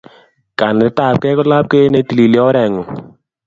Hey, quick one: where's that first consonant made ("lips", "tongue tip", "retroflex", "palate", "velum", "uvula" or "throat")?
velum